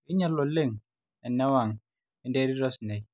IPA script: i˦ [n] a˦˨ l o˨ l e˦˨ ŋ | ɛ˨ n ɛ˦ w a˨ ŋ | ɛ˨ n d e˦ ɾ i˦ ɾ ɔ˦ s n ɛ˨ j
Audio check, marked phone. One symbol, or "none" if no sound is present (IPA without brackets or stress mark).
ɲ